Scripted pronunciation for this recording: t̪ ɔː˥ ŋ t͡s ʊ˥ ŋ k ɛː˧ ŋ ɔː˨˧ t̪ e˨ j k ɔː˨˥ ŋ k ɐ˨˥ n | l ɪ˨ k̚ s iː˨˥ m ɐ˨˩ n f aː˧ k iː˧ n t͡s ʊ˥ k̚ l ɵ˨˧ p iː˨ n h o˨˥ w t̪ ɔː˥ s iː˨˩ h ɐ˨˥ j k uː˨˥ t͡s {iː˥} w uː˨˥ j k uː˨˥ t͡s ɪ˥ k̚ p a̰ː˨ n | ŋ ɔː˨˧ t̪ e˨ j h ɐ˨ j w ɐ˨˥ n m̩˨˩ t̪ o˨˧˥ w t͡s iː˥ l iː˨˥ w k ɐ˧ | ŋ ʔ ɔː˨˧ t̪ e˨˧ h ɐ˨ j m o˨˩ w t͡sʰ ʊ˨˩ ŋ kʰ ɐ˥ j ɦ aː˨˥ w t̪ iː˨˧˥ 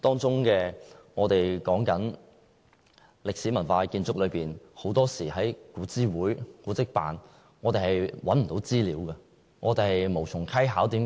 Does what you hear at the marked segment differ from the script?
no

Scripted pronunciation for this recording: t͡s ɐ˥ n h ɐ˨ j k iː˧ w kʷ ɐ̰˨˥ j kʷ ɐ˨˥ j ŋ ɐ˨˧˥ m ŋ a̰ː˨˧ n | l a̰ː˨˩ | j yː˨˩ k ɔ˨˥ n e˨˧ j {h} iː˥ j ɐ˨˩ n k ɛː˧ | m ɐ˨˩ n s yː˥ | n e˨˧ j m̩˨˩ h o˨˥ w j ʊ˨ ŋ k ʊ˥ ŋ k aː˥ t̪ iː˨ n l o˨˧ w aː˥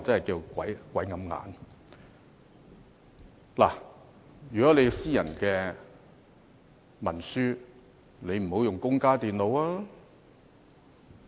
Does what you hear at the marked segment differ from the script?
yes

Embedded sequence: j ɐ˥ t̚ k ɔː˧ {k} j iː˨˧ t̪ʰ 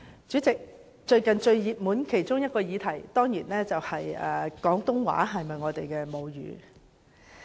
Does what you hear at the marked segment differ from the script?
yes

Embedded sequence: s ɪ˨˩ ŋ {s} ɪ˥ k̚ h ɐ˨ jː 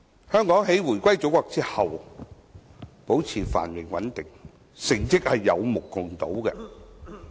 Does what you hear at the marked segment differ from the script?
yes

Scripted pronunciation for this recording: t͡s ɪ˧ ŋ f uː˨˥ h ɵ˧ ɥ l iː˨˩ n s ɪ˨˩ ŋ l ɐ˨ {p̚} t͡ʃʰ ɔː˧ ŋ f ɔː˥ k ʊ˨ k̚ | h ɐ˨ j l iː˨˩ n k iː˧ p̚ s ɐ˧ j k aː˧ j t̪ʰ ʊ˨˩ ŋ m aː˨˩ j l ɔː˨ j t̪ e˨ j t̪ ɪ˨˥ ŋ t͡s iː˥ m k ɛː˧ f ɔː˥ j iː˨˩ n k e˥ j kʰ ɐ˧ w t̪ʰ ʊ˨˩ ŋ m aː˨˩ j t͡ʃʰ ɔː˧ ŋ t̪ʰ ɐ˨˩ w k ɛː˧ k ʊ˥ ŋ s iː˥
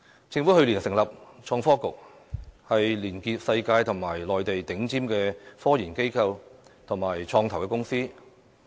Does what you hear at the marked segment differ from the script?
no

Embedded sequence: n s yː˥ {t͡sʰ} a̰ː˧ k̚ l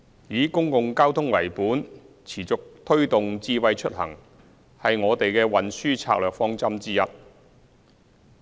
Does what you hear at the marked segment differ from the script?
no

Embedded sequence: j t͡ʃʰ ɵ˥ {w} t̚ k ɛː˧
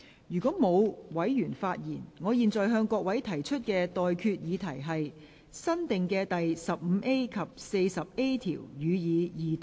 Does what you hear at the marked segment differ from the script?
yes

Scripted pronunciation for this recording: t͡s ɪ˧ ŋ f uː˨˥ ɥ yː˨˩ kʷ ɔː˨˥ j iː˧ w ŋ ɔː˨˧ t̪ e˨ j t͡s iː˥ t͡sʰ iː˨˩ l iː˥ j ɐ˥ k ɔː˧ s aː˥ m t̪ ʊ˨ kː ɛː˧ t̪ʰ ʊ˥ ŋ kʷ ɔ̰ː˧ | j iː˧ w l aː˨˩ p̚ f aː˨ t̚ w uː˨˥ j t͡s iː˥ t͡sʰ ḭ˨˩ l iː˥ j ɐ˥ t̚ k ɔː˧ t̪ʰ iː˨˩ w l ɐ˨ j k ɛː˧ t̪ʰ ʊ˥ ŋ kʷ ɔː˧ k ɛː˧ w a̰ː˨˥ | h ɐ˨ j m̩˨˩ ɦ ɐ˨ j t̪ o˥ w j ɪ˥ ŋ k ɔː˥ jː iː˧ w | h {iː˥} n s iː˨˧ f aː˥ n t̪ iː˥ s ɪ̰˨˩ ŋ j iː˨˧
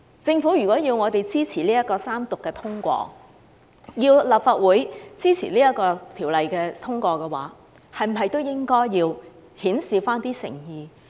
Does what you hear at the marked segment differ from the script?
yes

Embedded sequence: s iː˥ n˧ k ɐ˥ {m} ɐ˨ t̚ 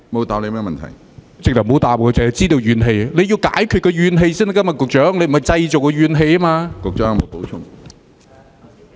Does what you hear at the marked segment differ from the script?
no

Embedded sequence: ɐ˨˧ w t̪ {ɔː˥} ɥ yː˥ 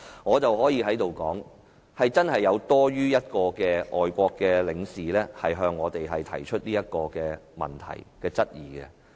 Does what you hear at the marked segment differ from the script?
no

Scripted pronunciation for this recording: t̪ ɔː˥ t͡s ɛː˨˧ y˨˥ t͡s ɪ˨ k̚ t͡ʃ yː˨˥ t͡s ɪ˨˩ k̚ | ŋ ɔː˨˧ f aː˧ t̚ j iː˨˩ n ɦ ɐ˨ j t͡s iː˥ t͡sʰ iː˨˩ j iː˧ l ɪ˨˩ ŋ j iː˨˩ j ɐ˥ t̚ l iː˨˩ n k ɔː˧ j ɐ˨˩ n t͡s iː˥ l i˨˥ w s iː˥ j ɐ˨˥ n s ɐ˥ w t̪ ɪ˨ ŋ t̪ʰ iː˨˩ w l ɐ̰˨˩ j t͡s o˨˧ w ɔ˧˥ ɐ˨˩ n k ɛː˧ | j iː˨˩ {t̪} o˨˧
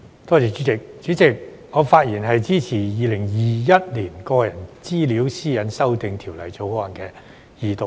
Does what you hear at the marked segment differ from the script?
no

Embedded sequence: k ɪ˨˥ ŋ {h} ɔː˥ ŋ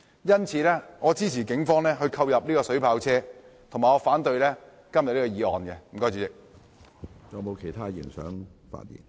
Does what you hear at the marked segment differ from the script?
yes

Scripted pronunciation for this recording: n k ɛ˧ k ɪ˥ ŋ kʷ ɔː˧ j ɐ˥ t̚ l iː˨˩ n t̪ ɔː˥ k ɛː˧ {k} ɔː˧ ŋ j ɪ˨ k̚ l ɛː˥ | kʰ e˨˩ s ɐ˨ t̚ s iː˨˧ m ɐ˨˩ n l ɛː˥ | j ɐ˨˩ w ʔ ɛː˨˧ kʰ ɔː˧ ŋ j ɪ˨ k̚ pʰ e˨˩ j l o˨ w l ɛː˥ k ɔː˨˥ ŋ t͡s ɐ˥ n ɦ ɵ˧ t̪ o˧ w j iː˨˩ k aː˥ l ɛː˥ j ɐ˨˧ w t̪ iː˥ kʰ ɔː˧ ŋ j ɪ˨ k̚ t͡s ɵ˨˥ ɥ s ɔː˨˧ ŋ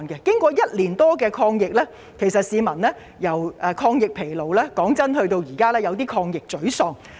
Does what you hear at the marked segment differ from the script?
yes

